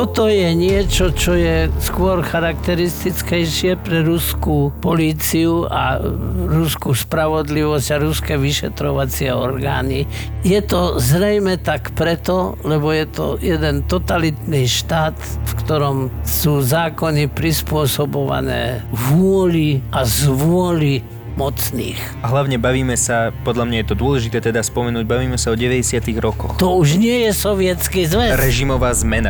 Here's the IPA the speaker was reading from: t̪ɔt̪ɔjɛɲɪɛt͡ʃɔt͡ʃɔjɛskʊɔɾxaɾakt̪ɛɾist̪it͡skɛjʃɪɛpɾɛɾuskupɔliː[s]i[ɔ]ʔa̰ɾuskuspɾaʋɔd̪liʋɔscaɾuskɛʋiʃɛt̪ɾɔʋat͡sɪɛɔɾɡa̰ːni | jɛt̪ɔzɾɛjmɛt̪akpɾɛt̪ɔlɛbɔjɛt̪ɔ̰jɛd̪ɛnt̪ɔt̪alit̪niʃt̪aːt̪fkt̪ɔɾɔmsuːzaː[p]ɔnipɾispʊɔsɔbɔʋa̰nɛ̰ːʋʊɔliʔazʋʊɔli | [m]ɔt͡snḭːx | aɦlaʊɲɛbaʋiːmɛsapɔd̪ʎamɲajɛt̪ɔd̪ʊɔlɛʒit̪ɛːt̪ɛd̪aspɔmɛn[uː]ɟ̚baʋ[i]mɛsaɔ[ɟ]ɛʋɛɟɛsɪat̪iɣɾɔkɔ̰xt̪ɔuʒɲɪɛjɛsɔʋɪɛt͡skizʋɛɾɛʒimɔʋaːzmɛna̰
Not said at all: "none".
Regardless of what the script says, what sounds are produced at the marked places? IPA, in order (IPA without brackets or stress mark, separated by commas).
t͡s, u, k, m, uː, iː, ɟ